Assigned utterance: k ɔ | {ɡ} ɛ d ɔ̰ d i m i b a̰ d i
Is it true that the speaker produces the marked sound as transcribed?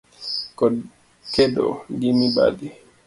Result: no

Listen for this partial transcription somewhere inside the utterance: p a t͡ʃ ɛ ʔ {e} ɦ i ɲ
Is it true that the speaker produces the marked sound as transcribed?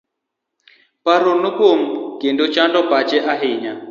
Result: no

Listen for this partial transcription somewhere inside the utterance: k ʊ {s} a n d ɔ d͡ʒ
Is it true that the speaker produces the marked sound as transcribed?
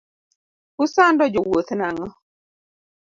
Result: yes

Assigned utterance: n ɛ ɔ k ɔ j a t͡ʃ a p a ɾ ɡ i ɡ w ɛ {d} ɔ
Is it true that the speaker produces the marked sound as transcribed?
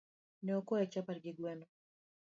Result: no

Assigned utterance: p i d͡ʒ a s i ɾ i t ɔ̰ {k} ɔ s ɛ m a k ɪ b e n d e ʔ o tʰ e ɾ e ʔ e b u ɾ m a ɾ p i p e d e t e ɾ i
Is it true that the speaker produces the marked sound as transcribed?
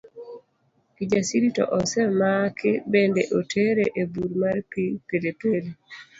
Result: no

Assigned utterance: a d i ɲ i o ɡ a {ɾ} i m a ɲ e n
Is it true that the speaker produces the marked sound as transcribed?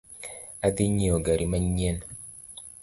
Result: yes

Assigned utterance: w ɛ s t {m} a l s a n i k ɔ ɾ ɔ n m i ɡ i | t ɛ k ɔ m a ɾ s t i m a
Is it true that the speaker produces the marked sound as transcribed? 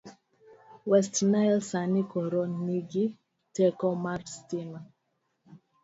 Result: no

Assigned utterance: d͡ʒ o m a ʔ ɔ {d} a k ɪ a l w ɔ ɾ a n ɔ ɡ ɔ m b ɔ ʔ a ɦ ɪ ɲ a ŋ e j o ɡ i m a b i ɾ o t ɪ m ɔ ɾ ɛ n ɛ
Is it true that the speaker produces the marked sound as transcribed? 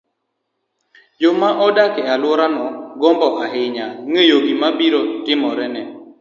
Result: yes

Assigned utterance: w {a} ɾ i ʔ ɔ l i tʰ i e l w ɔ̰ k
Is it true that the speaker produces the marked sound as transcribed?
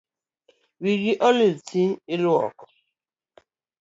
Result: no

